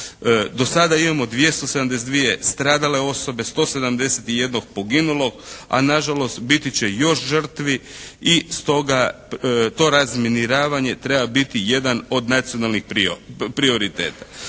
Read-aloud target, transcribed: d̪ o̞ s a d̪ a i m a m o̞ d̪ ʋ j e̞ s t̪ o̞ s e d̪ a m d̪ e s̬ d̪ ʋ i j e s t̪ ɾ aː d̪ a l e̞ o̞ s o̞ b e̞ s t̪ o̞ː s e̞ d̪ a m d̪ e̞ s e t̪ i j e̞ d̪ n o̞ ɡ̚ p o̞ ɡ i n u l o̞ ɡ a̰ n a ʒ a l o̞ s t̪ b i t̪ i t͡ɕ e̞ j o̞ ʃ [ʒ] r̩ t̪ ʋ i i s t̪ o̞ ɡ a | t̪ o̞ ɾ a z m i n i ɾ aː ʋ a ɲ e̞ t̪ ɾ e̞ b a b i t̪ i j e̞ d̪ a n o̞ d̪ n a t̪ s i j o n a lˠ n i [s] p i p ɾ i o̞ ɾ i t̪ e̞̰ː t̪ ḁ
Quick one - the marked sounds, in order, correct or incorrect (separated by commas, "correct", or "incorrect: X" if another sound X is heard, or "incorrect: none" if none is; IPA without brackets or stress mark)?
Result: correct, incorrect: x